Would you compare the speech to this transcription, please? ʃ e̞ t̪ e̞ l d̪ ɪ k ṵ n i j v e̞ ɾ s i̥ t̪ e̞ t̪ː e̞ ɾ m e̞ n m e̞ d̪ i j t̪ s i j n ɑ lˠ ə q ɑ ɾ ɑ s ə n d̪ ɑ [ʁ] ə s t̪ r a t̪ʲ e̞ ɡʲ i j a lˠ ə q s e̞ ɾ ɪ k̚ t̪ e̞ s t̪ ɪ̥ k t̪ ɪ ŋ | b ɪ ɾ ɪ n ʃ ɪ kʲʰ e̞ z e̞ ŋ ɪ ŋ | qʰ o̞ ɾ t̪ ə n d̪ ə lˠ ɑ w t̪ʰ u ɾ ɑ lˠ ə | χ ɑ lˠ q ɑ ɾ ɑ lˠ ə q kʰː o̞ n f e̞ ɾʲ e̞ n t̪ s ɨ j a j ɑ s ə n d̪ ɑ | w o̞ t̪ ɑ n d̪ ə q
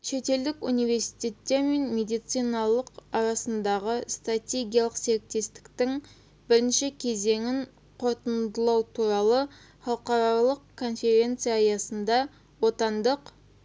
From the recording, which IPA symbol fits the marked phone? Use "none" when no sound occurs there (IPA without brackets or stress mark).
ʁ